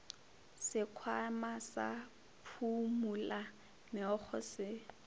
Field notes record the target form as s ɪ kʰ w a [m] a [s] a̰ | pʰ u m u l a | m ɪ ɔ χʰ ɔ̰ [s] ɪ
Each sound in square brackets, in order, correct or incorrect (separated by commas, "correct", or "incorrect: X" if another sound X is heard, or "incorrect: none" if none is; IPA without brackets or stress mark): correct, correct, correct